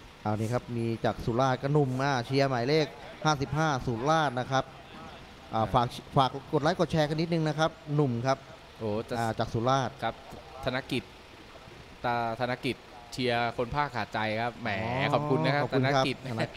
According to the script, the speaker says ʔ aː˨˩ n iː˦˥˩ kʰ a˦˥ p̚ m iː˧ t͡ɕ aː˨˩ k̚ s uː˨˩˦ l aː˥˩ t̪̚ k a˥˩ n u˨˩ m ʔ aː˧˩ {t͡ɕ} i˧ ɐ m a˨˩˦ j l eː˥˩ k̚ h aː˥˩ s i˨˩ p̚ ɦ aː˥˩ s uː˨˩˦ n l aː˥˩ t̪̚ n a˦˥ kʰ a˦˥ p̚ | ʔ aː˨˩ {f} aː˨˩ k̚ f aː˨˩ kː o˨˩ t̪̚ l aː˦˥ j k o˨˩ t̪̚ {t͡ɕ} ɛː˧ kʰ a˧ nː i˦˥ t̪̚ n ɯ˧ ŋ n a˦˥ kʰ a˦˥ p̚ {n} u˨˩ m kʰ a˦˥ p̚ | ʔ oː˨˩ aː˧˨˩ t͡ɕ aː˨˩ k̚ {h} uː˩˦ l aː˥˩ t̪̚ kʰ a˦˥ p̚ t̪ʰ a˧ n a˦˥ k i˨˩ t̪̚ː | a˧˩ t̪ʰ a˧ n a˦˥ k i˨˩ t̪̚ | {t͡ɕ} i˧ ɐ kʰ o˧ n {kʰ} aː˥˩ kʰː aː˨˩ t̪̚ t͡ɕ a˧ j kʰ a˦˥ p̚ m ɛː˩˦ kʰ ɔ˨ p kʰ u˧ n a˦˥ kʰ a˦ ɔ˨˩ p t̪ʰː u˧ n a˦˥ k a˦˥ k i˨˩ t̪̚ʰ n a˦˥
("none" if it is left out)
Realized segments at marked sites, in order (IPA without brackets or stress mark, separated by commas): t͡ɕʰ, f, t͡ɕʰ, n, s, t͡ɕʰ, pʰ